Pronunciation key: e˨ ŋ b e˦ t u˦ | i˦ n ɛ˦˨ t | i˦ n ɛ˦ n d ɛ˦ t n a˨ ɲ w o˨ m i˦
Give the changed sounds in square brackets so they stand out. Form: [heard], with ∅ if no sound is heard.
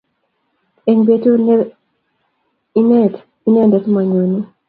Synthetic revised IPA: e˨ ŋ b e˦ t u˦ | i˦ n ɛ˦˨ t | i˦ n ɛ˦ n d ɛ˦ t [m] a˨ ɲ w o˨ [n] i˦